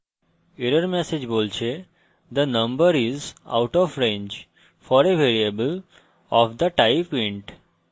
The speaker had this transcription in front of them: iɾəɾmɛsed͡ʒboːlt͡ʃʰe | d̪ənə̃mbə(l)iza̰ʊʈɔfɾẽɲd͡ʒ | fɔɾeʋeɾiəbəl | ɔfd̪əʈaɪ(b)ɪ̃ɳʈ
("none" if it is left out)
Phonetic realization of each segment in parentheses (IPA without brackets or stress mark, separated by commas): ɾ, p